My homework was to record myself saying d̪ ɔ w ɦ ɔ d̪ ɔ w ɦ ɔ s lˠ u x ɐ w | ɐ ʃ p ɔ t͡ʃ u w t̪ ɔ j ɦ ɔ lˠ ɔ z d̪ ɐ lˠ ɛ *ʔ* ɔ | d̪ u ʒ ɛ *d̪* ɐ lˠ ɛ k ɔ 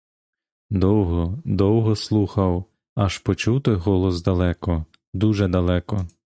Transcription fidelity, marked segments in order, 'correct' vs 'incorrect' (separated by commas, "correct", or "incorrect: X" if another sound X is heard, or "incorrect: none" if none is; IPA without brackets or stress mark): incorrect: k, correct